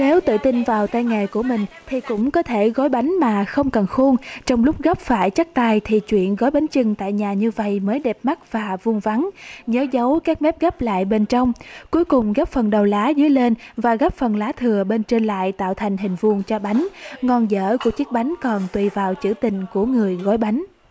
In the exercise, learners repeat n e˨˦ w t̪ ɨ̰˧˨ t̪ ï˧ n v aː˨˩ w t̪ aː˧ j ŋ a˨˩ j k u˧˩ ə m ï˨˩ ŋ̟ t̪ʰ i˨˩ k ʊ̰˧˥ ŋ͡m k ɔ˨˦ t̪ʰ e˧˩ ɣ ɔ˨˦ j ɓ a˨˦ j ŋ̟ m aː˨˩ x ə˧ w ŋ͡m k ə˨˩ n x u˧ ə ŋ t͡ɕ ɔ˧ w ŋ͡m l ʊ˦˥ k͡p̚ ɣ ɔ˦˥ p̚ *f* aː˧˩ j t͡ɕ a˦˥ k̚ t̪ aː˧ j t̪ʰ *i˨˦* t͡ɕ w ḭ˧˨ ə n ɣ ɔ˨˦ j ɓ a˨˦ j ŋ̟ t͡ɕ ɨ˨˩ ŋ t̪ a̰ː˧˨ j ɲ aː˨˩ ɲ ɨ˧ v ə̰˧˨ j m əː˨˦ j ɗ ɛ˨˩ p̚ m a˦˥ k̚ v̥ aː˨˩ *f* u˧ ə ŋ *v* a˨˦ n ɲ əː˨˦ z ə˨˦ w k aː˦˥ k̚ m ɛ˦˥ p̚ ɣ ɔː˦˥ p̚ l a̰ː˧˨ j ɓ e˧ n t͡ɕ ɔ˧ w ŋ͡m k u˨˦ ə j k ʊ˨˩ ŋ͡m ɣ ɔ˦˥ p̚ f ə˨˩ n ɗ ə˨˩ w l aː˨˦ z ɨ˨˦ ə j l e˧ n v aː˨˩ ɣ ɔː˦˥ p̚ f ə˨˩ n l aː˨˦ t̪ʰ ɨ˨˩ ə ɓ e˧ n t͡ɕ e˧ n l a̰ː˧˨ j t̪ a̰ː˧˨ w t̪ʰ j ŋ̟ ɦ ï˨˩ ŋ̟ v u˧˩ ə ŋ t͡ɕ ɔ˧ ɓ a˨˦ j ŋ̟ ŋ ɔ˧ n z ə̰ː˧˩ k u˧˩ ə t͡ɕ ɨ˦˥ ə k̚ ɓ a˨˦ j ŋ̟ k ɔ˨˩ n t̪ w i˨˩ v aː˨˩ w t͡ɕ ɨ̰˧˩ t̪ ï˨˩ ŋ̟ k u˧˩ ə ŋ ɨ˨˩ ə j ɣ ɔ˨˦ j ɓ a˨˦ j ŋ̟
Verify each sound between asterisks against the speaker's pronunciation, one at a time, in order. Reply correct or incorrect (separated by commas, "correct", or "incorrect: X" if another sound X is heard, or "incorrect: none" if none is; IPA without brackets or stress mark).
correct, incorrect: i˨˩, incorrect: v, correct